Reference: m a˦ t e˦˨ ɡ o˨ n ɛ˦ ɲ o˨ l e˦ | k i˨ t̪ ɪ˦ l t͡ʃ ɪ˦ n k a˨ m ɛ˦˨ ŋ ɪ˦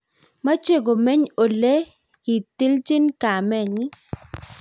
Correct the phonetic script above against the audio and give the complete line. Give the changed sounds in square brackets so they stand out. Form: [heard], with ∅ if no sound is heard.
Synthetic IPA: m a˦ [t͡ʃ] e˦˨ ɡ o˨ [m] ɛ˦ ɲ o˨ l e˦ | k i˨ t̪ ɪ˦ l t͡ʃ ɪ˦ n k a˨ m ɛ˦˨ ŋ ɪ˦